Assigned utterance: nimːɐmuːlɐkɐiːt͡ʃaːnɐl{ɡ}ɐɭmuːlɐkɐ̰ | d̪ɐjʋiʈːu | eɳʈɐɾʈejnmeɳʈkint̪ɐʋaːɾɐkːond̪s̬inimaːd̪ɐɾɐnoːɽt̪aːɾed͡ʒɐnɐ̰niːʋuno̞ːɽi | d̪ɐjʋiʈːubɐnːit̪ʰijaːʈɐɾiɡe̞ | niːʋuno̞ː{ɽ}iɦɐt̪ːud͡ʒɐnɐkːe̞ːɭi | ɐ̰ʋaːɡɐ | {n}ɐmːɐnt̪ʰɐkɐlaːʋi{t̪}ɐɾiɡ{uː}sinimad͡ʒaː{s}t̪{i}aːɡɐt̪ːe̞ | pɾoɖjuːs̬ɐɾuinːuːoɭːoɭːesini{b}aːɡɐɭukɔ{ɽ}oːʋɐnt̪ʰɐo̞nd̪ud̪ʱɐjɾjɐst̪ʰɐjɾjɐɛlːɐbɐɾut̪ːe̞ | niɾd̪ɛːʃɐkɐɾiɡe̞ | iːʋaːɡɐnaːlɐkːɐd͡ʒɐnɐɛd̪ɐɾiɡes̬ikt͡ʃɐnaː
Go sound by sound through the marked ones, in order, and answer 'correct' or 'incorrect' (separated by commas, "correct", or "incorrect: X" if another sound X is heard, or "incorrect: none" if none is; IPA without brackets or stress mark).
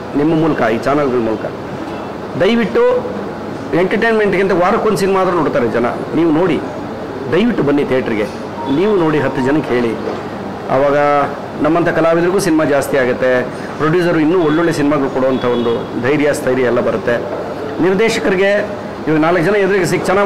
correct, correct, correct, incorrect: d̪, correct, correct, correct, incorrect: m, correct